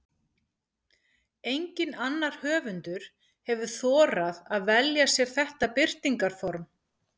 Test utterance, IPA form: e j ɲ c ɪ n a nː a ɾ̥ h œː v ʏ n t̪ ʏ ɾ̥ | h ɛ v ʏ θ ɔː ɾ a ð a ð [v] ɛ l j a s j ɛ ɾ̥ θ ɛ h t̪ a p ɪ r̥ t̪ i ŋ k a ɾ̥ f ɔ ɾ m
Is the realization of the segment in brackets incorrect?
no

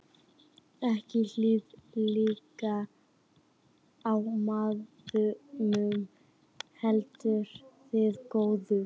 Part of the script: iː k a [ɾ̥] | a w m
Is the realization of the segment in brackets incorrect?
yes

